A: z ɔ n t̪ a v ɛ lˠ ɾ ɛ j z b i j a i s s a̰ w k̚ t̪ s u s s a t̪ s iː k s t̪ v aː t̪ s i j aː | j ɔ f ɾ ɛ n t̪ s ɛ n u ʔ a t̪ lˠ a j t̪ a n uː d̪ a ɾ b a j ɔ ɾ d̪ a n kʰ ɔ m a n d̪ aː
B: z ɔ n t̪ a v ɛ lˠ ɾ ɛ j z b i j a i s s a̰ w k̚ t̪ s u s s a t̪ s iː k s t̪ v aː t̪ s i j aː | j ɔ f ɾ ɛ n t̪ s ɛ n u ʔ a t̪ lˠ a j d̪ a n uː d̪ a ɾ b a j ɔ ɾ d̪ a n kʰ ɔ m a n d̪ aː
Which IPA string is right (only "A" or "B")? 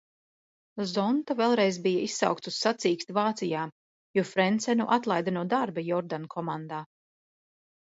B